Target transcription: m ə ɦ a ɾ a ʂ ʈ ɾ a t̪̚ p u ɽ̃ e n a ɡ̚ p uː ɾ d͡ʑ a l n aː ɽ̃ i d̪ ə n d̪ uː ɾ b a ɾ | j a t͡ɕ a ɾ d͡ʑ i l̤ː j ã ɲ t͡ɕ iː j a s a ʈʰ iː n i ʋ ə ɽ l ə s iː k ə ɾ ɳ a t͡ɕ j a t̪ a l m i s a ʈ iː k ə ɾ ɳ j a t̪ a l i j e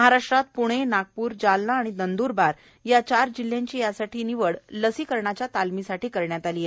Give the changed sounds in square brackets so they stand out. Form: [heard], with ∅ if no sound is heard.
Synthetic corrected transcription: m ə ɦ a ɾ a ʂ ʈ ɾ a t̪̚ p u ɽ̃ e n a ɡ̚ p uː ɾ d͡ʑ a l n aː ɽ̃ i d̪ ə n d̪ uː ɾ b a ɾ | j a t͡ɕ a ɾ d͡ʑ i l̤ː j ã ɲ t͡ɕ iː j a s a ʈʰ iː n i ʋ ə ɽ l ə s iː k ə ɾ ɳ a t͡ɕ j a t̪ a l m i s a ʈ iː k ə ɾ ɳ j a t̪ a l i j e